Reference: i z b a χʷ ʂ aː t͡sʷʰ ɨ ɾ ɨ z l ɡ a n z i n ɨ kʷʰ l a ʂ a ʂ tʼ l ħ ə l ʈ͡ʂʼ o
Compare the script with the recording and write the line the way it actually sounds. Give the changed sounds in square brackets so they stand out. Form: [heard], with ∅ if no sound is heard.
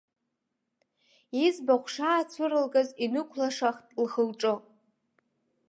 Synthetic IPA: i z b a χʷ ʂ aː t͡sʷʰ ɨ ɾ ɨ [∅] l ɡ a [∅] z i n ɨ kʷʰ l a ʂ a [χ] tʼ l [χ] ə l ʈ͡ʂʼ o